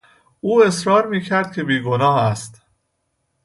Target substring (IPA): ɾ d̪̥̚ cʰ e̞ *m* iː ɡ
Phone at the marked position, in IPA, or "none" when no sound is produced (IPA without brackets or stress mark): b